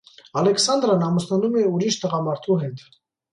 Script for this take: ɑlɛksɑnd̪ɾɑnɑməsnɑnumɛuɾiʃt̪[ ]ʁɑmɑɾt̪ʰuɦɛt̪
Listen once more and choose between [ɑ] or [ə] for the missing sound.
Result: ə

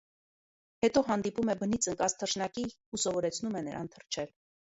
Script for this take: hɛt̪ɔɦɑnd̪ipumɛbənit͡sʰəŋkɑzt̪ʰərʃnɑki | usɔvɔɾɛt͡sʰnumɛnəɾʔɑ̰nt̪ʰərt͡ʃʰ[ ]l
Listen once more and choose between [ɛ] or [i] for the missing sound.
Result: ɛ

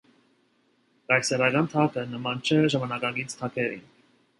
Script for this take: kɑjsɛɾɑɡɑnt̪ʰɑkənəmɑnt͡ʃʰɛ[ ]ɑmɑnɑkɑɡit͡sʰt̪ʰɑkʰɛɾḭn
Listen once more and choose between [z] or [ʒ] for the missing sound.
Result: ʒ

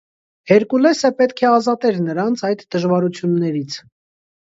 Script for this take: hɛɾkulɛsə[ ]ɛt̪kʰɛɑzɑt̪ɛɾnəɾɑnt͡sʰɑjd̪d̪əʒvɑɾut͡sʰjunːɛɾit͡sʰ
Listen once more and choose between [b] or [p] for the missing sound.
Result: p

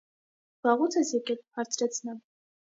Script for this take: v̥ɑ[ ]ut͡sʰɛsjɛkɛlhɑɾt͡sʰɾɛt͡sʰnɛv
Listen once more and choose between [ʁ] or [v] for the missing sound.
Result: ʁ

